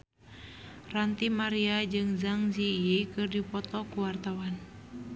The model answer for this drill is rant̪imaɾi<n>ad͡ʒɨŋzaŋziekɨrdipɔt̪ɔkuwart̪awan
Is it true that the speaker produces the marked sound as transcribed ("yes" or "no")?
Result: no